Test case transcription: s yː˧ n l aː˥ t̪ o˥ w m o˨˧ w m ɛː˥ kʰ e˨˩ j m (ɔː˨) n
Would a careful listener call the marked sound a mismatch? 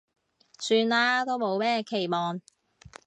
no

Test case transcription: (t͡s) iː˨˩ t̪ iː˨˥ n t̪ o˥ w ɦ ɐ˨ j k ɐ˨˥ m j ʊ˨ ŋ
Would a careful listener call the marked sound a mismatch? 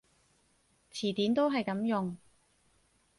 yes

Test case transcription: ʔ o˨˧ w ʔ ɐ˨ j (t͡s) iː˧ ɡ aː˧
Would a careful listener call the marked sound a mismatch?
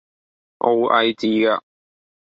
no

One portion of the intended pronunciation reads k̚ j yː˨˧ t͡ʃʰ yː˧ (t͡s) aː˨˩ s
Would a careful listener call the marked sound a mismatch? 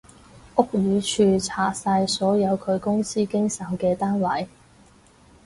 yes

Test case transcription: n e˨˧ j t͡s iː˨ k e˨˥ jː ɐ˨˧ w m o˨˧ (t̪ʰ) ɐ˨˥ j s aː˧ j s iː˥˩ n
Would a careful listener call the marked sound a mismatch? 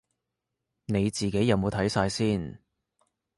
no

